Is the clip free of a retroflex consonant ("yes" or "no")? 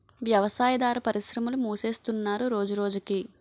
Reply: yes